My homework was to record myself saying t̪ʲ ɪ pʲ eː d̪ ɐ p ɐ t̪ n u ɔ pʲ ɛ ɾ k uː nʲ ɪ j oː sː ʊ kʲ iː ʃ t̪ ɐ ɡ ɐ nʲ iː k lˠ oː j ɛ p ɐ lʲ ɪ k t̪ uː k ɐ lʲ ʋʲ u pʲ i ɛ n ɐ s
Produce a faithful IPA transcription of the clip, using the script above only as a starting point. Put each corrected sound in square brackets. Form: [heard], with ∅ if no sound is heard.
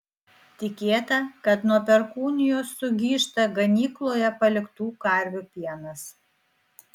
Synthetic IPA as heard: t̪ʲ ɪ [kʲ] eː [t̪] ɐ [k] ɐ t̪ n u ɔ pʲ ɛ ɾ k uː nʲ ɪ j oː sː ʊ [ɡʲ] iː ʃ t̪ ɐ ɡ ɐ nʲ iː k lˠ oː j ɛ p ɐ lʲ ɪ k t̪ uː k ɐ [ɾʲ] ʋʲ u pʲ i ɛ n ɐ s